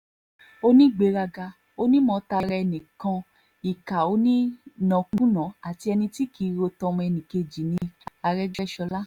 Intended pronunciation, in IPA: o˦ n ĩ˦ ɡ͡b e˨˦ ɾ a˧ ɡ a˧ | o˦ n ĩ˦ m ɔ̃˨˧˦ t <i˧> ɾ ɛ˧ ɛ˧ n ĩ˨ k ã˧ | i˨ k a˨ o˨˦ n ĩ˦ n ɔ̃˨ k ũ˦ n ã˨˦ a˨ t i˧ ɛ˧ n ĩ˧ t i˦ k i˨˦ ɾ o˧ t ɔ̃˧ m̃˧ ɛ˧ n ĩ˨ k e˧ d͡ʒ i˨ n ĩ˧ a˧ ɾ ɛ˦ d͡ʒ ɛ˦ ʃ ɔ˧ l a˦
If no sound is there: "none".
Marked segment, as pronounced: a˧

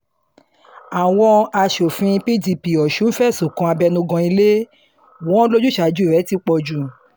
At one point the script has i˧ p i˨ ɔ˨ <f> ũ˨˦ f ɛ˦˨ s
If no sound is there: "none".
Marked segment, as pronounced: ʃ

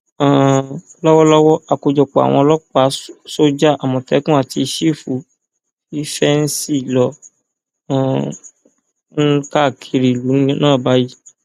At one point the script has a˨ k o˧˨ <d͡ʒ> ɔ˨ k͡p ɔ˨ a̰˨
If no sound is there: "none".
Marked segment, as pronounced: d͡ʒ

